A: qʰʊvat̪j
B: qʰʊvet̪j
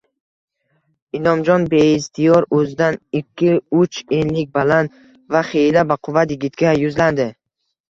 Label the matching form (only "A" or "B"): A